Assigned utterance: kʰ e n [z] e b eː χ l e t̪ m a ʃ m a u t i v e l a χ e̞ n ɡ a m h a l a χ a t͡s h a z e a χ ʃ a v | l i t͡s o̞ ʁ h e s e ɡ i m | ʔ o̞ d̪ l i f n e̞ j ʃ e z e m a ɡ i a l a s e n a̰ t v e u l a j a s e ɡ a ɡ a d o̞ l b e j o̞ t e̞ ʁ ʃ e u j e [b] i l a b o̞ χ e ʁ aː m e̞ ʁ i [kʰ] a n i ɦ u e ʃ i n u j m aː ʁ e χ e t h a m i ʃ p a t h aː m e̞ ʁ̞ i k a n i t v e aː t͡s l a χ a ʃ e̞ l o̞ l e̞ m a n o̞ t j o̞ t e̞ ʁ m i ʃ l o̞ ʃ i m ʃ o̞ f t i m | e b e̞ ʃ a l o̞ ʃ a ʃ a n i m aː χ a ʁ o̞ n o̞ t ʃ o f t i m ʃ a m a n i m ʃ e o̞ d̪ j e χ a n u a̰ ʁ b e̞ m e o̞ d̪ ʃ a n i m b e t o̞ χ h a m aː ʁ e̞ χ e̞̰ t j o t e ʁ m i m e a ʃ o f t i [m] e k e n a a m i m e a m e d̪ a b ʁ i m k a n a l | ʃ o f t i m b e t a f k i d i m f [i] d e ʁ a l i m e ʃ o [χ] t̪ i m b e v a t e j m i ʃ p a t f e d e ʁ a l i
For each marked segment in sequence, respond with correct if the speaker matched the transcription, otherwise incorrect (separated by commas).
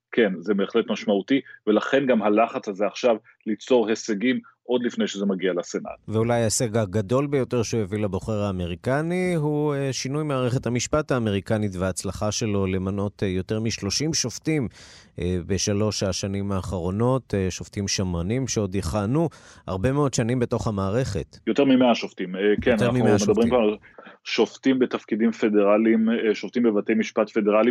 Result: correct, incorrect, incorrect, correct, incorrect, incorrect